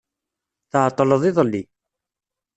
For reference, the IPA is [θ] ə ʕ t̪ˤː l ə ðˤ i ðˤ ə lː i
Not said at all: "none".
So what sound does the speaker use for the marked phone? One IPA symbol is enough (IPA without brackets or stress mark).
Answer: θ